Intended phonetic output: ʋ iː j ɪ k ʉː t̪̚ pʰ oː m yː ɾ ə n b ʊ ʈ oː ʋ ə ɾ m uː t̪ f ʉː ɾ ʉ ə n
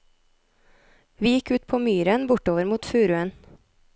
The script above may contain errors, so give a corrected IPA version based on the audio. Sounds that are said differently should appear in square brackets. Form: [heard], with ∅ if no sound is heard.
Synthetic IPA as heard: ʋ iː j ɪ k ʉː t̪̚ pʰ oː m yː ɾ ə n b ʊ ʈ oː ʋ ə ɾ m uː t̪ f ʉː ɾ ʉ ə n